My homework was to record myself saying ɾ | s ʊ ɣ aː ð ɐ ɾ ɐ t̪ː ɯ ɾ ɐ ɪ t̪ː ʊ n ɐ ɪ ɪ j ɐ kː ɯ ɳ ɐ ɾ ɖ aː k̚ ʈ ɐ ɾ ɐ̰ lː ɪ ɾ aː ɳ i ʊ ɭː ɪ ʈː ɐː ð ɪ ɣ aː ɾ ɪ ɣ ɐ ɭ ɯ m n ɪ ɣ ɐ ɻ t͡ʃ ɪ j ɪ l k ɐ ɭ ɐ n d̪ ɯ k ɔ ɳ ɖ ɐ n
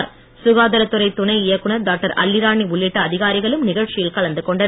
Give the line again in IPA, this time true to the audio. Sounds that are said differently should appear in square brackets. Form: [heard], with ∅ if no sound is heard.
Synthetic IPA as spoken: ɾ | s ʊ ɣ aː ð ɐ ɾ ɐ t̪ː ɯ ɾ ɐ ɪ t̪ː ʊ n ɐ ɪ ɪ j ɐ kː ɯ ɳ ɐ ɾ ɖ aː k̚ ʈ ɐ ɾ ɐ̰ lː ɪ ɾ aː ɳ i ʊ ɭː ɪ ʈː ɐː ð ɪ ɣ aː ɾ ɪ ɣ ɐ ɭ ɯ m n ɪ ɣ ɐ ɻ t͡ʃ ɪ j ɪ l k ɐ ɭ ɐ n d̪ ɯ k ɔ ɳ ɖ ɐ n